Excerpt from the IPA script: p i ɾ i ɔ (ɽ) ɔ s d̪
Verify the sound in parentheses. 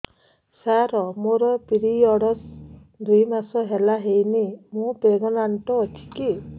correct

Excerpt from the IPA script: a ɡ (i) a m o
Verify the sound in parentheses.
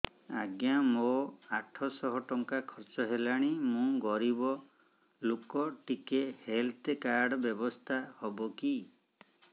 incorrect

